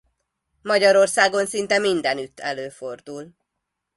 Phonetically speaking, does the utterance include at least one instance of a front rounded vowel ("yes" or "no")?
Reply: yes